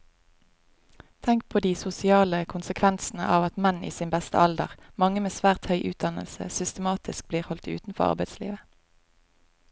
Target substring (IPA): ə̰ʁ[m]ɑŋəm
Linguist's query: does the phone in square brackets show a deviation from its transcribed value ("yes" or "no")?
no